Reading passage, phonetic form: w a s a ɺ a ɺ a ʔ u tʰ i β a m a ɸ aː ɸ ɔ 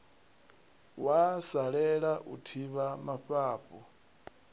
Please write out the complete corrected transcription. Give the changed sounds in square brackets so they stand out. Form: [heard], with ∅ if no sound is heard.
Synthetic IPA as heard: w a s a ɺ [ɛ] ɺ a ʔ u tʰ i β a m a ɸ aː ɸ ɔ